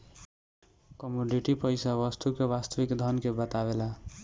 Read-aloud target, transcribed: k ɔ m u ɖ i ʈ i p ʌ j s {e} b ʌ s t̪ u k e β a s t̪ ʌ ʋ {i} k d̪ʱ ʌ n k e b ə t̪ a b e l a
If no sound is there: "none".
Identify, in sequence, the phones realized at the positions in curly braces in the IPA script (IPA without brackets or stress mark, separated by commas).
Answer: a, i